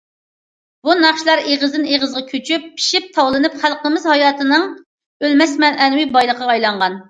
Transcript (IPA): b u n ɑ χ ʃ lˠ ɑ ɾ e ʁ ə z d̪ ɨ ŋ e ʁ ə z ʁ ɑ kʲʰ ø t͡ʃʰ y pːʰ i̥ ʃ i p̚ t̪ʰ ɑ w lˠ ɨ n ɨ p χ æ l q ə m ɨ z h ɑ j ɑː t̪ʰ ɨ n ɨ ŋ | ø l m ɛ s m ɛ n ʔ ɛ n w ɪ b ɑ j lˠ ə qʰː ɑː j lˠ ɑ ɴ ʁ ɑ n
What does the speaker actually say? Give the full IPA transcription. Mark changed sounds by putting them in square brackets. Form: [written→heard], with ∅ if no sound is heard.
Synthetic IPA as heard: b u n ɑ χ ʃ lˠ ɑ ɾ e ʁ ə z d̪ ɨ [ŋ→n] e ʁ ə z ʁ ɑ kʲʰ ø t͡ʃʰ y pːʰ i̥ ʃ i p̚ t̪ʰ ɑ w lˠ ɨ n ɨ p χ æ l q ə m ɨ z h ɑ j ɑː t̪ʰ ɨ n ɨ ŋ | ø l m ɛ s m ɛ n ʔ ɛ n w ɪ b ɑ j lˠ ə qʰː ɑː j lˠ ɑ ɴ ʁ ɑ n